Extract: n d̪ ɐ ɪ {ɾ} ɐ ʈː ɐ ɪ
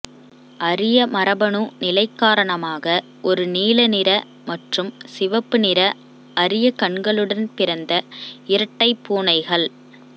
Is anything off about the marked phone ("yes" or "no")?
no